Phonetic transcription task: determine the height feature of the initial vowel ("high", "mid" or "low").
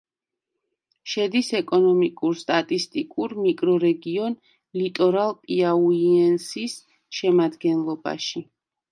mid